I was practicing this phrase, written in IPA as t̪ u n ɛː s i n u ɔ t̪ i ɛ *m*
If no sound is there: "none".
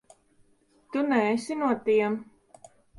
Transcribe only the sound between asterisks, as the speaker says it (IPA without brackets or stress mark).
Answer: m